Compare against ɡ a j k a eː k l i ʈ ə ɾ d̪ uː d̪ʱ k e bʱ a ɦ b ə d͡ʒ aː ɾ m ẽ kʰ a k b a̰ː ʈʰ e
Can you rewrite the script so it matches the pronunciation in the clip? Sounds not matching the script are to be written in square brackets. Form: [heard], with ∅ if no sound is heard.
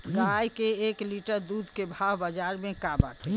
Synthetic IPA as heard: ɡ a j k [e] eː k l i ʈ ə ɾ d̪ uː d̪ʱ k e bʱ a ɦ b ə d͡ʒ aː ɾ m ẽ [k] a [∅] b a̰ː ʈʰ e